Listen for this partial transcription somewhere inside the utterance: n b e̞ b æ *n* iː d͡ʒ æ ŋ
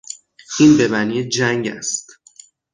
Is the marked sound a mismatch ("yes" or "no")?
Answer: no